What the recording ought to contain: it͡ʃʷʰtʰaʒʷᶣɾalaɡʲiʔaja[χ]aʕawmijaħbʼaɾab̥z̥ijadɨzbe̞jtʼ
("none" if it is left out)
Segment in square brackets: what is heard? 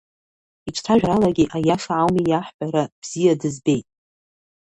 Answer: ʂ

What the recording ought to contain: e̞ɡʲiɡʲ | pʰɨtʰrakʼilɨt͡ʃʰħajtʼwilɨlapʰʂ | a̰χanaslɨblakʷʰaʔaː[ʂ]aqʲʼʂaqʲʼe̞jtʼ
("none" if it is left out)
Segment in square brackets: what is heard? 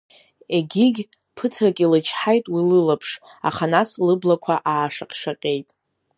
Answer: ʂ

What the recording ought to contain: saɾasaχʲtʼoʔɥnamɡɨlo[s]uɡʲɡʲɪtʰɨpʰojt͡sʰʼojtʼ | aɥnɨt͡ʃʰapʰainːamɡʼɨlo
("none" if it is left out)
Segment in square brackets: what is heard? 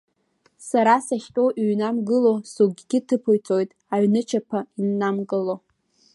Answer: s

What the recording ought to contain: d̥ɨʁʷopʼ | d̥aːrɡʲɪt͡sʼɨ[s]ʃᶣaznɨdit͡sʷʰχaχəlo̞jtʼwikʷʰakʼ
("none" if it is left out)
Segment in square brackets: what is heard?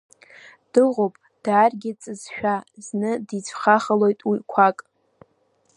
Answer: z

